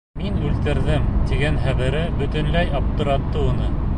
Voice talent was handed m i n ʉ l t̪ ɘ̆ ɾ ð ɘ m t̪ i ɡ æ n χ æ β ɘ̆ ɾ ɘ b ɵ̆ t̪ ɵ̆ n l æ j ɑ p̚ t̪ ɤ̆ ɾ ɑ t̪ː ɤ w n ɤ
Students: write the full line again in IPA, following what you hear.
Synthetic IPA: m i n ʉ l t̪ ɘ̆ ɾ ð ɘ m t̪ i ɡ æ n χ æ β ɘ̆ ɾ ɘ b ɵ̆ t̪ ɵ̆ n l æ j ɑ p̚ t̪ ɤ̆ ɾ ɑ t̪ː ɤ u n ɤ